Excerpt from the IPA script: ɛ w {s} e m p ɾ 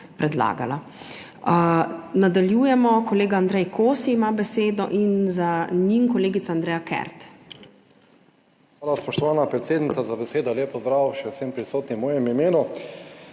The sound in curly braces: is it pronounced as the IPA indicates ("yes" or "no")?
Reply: yes